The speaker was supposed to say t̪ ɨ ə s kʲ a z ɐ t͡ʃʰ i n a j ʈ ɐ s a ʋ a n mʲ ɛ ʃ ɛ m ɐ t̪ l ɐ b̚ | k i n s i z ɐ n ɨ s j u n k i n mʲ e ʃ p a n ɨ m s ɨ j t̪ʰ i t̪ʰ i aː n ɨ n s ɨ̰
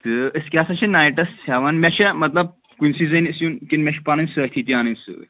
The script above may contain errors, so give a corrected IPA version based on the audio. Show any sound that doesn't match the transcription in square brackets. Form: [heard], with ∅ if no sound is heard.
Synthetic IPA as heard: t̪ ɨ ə s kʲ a [s] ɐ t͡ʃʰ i n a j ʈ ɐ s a ʋ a n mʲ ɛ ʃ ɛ m ɐ t̪ l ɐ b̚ | k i n s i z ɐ n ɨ s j u n k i n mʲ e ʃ p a n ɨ [n] s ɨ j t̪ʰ i [t̪] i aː n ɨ n s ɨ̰